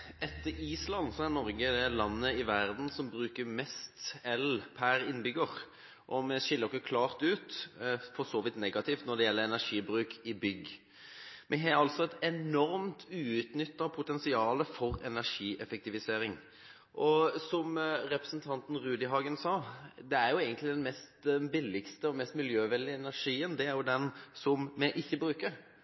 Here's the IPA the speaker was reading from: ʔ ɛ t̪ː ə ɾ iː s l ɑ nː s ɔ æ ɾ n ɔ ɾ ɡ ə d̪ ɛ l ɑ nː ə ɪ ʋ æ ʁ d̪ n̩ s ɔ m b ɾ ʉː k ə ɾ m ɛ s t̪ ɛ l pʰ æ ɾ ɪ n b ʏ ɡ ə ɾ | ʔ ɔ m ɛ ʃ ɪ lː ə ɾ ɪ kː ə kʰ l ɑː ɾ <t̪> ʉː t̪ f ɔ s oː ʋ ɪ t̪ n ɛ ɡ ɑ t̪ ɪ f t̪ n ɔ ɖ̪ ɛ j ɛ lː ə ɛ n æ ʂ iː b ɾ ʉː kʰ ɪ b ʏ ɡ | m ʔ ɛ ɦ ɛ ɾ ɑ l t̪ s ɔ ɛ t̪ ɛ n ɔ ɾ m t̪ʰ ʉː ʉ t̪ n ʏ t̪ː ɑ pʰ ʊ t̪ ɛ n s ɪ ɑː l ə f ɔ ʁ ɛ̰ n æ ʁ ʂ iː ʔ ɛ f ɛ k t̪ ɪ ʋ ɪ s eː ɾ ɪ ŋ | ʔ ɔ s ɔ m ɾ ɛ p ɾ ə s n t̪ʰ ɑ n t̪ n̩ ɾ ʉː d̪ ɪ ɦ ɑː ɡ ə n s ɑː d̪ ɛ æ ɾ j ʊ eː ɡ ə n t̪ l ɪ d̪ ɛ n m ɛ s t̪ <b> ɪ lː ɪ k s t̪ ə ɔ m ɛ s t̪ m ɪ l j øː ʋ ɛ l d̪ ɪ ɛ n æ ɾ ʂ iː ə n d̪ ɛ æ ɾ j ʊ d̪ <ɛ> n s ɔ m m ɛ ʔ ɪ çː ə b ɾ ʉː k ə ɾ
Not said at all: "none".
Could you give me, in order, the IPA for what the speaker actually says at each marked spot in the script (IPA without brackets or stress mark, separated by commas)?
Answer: t̪, b, ɛ